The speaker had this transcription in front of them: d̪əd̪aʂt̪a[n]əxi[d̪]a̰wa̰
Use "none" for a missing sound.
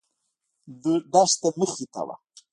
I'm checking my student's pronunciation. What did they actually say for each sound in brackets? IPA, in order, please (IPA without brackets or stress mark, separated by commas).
m, t̪